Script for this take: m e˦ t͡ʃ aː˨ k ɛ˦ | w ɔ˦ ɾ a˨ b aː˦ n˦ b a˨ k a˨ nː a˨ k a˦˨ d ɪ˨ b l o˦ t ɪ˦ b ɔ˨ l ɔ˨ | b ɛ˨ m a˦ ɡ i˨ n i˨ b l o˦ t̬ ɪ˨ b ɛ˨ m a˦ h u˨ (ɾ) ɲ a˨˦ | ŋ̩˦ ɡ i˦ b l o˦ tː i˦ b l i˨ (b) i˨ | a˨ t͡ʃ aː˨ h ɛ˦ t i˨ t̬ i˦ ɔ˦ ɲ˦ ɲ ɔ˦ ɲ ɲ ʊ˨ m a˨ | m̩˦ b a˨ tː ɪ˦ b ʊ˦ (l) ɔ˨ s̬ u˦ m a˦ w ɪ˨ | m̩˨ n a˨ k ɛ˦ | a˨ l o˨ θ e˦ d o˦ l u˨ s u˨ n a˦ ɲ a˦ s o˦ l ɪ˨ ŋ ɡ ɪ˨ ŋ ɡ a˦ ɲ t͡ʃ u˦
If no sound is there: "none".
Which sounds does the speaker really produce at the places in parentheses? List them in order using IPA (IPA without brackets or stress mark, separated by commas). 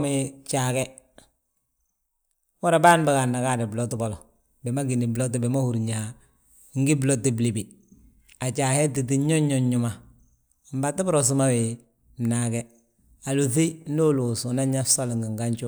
ɾ, b, ɾ